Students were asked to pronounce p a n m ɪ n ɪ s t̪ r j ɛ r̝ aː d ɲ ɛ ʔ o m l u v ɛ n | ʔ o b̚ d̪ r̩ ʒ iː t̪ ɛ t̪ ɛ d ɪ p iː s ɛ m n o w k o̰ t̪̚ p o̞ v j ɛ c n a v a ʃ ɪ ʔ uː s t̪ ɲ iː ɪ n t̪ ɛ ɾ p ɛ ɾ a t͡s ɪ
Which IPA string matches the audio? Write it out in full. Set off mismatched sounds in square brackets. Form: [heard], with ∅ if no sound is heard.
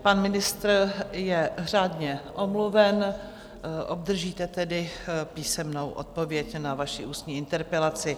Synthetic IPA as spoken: p a n m ɪ n ɪ s t̪ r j ɛ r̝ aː d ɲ ɛ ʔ o m l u v ɛ n | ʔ o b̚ d̪ r̩ ʒ iː t̪ ɛ t̪ ɛ d ɪ p iː s ɛ m n o w [ʔ] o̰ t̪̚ p o̞ v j ɛ c n a v a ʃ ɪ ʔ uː s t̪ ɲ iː ɪ n t̪ ɛ ɾ p ɛ [l] a t͡s ɪ